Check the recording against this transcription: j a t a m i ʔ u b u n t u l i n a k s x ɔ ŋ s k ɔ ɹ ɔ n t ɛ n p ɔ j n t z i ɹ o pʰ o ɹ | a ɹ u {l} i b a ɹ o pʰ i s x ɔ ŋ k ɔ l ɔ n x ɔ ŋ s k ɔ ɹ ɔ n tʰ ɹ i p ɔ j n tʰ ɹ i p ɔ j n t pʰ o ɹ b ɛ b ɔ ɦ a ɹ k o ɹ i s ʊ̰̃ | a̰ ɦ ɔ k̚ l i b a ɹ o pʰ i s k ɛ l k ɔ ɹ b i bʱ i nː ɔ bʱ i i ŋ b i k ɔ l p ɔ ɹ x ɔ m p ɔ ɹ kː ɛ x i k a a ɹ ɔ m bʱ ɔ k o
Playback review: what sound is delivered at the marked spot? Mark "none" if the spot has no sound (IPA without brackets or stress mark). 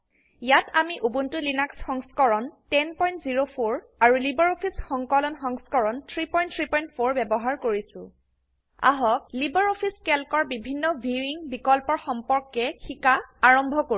l